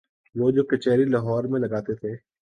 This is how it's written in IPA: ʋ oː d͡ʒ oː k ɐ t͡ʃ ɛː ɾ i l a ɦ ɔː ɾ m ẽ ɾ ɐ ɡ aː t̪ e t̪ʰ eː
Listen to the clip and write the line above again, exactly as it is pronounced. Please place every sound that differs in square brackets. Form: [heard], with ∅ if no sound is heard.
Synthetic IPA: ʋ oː d͡ʒ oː k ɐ t͡ʃ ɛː ɾ i l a ɦ ɔː ɾ m ẽ [l] ɐ ɡ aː t̪ e t̪ʰ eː